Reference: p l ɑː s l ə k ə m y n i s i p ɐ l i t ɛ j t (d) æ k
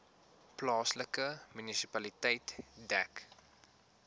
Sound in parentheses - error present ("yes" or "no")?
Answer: no